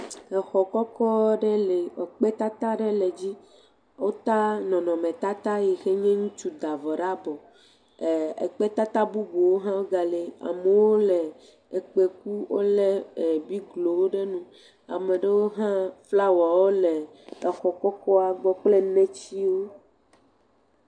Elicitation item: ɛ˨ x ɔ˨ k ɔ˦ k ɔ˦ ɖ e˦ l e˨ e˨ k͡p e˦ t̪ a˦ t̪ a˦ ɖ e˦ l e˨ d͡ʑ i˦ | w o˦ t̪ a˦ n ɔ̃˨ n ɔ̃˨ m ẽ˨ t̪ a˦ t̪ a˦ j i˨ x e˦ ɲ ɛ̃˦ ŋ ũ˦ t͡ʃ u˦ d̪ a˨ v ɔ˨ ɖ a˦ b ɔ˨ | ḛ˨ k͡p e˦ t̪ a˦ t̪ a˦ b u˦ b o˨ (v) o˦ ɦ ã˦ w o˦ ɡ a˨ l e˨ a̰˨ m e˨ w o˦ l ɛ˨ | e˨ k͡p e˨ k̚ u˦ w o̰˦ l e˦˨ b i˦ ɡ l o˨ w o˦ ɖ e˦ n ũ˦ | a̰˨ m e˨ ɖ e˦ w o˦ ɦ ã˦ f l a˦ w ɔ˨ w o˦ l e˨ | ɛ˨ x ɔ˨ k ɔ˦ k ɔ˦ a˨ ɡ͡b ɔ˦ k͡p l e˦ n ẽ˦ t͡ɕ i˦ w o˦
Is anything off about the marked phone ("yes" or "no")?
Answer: yes